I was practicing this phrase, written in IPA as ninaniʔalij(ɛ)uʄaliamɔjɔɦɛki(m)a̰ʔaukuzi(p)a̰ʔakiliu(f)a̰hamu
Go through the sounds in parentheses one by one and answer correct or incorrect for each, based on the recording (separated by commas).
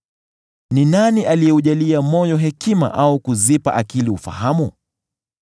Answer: correct, correct, correct, correct